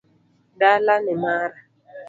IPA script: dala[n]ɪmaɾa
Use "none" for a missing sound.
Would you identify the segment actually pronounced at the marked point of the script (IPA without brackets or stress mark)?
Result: n